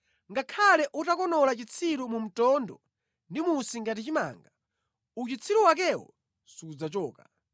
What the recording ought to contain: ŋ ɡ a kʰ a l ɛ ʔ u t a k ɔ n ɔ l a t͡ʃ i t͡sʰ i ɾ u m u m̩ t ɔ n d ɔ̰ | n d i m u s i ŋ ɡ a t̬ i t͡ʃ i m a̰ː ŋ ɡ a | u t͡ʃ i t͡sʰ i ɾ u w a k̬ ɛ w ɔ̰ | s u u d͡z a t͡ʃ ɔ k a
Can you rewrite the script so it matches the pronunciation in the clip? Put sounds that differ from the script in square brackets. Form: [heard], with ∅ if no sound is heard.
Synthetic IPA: ŋ ɡ a kʰ a l ɛ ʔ u t a k ɔ n ɔ l a t͡ʃ i t͡sʰ i ɾ u m u m̩ t ɔ n d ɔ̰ | n d i m u s i ŋ ɡ a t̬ i t͡ʃ i m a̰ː ŋ ɡ a | u t͡ʃ i t͡sʰ i ɾ u w a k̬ ɛ w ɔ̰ | s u u d͡z a t͡ʃ [ɔː] k a